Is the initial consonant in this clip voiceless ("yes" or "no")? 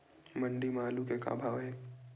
no